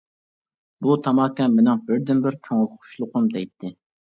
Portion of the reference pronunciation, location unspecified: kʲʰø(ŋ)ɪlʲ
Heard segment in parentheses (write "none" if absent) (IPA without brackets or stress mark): ŋ